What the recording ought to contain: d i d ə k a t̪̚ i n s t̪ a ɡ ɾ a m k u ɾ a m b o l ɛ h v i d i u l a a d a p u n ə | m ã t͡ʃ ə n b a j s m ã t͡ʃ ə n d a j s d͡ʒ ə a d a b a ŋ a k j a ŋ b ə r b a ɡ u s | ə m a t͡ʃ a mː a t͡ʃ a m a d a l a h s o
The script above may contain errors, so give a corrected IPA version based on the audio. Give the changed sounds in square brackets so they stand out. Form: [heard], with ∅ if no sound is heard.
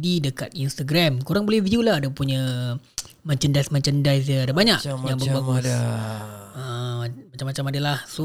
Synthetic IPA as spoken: d i d ə k a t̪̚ i n s t̪ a ɡ ɾ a m k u ɾ a [ŋ] b o l ɛ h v i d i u l a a d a p u [ɲ] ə | m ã t͡ʃ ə n [d] a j s m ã t͡ʃ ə n d a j s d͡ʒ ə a d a b a [ɲ] a k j a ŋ b ə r b a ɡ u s | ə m a t͡ʃ a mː a t͡ʃ a m a d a l a h s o